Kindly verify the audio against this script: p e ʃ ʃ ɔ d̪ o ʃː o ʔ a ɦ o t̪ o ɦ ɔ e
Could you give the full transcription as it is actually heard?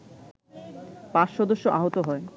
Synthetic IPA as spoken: p a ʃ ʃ ɔ d̪ o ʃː o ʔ a ɦ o t̪ o ɦ ɔ e